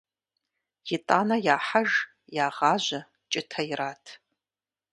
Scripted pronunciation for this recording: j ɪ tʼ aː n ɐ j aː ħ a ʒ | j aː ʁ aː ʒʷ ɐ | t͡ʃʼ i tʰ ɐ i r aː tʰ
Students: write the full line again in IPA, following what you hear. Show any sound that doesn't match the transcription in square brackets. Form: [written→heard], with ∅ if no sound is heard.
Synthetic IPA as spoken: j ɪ tʼ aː n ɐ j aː ħ a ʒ | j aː ʁ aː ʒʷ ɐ | t͡ʃʼ [i→ɪ] tʰ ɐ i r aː tʰ